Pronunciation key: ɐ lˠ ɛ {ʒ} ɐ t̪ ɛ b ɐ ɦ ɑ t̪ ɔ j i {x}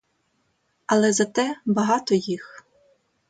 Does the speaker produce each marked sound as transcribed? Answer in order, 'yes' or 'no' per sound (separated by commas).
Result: no, yes